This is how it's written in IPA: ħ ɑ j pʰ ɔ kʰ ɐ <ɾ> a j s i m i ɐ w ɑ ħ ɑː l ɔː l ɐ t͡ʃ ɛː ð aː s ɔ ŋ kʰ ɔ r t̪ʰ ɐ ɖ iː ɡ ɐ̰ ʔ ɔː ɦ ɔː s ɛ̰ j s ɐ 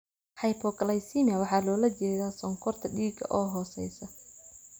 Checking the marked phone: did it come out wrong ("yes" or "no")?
yes